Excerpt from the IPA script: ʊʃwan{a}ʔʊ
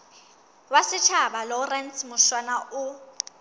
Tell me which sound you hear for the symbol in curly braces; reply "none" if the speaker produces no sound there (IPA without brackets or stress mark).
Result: a